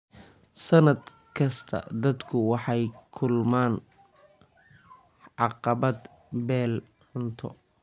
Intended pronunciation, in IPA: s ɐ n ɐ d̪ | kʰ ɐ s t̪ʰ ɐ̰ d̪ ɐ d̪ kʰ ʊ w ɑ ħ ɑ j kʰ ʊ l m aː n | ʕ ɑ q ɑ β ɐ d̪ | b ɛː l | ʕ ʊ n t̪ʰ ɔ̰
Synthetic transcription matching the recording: s ɐ n ɐ d̪ | kʰ ɐ s t̪ʰ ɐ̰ d̪ ɐ d̪ kʰ ʊ w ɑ ħ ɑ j kʰ ʊ l m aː n | ʕ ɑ q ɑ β ɐ d̪ | b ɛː l | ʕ ʊ n t̪ʰ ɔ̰